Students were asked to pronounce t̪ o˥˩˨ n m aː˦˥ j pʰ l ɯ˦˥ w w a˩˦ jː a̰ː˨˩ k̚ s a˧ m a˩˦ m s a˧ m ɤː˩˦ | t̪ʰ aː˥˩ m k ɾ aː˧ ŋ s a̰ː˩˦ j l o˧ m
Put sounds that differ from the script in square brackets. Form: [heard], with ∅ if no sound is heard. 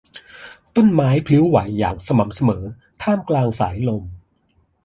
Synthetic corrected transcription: t̪ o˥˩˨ n m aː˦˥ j pʰ l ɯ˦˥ w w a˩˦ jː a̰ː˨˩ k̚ s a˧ m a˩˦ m s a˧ m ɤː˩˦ | t̪ʰ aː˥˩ m k [l] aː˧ ŋ s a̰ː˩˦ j l o˧ m